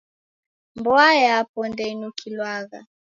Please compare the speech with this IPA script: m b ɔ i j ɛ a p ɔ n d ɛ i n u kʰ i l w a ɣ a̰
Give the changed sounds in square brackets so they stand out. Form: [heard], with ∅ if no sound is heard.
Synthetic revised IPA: m b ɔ [a] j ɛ a p ɔ n d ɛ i n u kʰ i l w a ɣ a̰